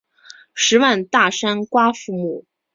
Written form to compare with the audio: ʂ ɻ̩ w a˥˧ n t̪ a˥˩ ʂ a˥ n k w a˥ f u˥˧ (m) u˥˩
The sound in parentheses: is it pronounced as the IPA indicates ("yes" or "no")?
yes